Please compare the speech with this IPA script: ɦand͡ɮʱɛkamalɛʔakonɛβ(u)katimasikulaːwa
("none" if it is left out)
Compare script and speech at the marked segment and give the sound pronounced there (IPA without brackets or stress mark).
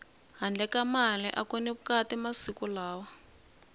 u